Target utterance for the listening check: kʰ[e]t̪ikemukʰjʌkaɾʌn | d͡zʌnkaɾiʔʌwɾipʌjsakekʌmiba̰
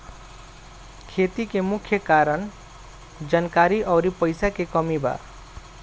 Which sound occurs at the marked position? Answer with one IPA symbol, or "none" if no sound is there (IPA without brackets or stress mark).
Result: e